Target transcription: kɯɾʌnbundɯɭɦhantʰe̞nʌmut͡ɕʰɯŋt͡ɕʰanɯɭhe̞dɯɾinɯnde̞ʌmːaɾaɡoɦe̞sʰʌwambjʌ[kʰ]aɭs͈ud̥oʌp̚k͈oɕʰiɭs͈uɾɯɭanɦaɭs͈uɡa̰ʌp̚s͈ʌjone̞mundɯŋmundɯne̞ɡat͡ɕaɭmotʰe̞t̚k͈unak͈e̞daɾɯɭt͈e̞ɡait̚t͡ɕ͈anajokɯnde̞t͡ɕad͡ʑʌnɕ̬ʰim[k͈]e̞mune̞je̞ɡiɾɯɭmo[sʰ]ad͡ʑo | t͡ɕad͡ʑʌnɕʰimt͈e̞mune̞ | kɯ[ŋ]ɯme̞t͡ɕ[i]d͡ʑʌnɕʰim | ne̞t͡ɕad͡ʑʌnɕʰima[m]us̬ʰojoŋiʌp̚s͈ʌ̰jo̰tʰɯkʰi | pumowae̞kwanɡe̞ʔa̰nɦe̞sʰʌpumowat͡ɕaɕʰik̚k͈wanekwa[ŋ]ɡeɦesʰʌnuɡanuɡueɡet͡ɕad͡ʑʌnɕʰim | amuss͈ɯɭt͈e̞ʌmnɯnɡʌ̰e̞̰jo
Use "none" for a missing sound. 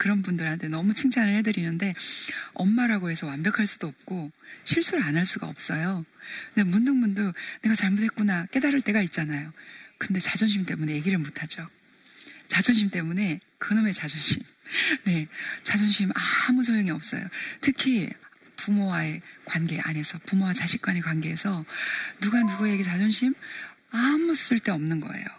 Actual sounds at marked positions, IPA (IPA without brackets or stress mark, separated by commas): kʰ, t͈, tʰ, n, a, m, n